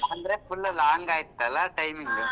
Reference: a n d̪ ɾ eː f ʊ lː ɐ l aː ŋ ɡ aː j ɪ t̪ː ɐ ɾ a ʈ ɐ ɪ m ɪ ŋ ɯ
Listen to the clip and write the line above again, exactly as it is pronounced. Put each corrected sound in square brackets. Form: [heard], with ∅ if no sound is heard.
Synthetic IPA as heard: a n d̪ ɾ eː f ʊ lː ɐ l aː ŋ ɡ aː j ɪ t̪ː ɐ [l] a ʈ ɐ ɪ m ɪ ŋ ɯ

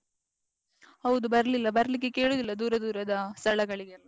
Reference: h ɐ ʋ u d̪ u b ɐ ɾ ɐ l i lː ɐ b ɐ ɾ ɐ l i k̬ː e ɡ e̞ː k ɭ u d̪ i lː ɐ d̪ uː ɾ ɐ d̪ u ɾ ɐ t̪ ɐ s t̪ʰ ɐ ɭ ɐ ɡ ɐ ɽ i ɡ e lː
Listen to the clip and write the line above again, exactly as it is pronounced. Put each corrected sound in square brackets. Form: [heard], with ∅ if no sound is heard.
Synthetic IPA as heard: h ɐ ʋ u d̪ u b ɐ ɾ ɐ l i lː ɐ b ɐ ɾ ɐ l i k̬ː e [k] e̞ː [∅] ɭ u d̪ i lː ɐ d̪ uː ɾ ɐ d̪ [uː] ɾ ɐ [d̪] ɐ s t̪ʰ ɐ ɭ ɐ ɡ ɐ [ɭ] i ɡ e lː

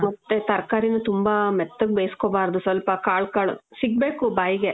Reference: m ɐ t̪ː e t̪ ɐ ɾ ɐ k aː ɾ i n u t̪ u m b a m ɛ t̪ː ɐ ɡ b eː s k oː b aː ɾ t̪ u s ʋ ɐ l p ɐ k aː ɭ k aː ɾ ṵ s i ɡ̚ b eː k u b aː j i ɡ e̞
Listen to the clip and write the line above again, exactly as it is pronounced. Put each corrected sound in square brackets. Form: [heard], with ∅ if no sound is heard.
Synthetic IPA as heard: m ɐ t̪ː e t̪ ɐ ɾ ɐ k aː ɾ i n u t̪ u m b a m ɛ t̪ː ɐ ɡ b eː s k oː b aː ɾ [d̪] u s ʋ ɐ l p ɐ k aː ɭ k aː [ɭ] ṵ s i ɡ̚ b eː k u b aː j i ɡ e̞

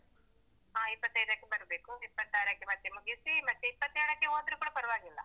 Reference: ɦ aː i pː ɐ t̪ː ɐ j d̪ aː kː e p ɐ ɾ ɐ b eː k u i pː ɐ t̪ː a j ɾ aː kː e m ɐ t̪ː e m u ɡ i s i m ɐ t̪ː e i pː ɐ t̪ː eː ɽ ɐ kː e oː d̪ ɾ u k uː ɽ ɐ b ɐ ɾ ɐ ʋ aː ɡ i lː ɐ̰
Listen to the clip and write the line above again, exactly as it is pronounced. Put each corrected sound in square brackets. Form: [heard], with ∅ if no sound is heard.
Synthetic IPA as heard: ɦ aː i pː ɐ t̪ː ɐ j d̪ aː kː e [b] ɐ ɾ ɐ b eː k u i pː ɐ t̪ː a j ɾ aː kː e m ɐ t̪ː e m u ɡ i s i m ɐ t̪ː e i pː ɐ t̪ː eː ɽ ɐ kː e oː d̪ ɾ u k uː ɽ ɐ [p] ɐ ɾ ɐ ʋ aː ɡ i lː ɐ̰

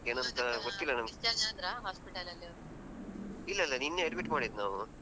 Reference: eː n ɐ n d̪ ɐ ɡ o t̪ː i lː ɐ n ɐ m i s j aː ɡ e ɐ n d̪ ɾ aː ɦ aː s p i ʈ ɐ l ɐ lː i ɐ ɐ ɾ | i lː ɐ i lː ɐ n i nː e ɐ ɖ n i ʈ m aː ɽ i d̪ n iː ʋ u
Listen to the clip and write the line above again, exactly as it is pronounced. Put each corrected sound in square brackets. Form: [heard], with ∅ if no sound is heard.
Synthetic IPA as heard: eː n ɐ n [t̪] ɐ ɡ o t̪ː i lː ɐ n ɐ m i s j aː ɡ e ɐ n d̪ ɾ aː ɦ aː s p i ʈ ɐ l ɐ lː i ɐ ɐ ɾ | i lː ɐ i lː ɐ n i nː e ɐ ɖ [m] i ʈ m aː ɽ i d̪ n [aː] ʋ u

